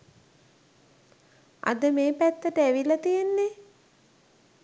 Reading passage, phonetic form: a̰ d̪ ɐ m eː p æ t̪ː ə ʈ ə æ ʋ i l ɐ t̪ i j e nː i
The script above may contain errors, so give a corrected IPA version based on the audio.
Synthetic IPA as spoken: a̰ d̪ ə m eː p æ t̪ː ə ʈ ə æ ʋ i l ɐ t̪ i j e nː e